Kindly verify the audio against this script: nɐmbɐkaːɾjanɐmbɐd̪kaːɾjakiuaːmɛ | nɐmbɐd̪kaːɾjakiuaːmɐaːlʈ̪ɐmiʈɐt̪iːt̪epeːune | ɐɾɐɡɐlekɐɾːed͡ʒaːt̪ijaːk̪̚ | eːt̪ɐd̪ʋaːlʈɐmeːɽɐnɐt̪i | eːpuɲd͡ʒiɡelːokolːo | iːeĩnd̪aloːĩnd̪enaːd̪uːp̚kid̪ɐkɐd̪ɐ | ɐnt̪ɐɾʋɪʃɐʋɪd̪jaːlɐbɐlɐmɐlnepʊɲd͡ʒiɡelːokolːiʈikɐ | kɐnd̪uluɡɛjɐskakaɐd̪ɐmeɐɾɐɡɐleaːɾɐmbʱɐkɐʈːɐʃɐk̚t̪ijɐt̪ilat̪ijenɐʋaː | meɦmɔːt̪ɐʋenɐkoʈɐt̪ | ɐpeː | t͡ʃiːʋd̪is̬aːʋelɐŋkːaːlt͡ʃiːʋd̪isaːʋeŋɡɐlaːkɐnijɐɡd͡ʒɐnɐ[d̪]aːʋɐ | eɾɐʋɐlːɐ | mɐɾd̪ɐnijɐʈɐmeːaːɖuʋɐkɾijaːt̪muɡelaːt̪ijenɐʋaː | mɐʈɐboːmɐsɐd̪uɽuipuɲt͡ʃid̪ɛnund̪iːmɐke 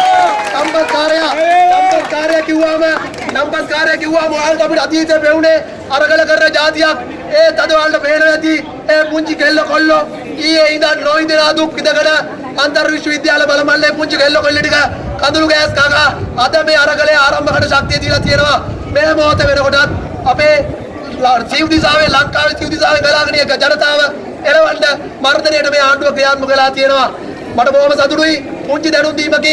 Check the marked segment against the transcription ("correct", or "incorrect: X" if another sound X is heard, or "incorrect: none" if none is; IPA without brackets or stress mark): incorrect: t̪